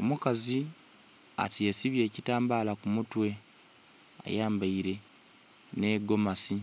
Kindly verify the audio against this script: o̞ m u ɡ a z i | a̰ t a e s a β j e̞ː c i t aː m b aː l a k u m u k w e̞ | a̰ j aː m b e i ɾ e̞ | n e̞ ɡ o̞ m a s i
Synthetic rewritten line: o̞ m u k a z i | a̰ t i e s i β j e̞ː c i t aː m b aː l a k u m u t w e̞ | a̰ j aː m b a i ɾ e̞ | n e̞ ɡ o̞ m a s i